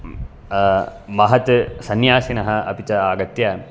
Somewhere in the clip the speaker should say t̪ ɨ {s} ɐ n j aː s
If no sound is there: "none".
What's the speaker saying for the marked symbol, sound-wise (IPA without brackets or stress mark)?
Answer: s